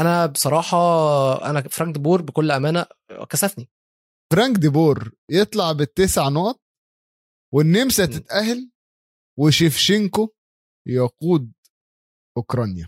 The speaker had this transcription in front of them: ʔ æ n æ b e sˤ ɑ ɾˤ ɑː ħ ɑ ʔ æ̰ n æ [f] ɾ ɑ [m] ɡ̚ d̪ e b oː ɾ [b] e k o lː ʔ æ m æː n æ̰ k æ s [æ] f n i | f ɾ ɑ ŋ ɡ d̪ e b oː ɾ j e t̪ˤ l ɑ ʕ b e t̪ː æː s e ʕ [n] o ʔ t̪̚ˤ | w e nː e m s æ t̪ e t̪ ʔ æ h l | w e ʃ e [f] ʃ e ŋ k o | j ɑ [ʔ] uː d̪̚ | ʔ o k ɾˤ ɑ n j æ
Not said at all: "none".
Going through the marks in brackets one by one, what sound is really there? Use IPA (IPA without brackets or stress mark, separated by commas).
f, ŋ, b, æ, n, f, q